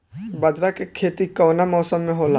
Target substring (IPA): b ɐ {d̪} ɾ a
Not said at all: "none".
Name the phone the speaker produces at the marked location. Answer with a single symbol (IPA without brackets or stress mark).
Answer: d̪